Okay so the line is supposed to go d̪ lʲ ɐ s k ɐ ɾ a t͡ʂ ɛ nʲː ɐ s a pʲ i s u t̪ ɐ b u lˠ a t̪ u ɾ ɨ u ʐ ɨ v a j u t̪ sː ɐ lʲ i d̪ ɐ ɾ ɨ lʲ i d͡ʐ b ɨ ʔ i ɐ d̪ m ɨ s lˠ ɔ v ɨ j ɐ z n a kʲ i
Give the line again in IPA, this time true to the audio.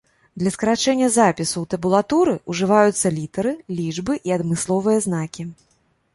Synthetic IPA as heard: d̪ lʲ ɐ s k ɐ ɾ a t͡ʂ ɛ nʲː ɐ z a pʲ i s u t̪ ɐ b u lˠ a t̪ u ɾ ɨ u ʐ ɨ v a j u t̪ sː ɐ lʲ i t̪ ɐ ɾ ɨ lʲ i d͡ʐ b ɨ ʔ i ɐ d̪ m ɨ s lˠ ɔ v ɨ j ɐ z n a kʲ i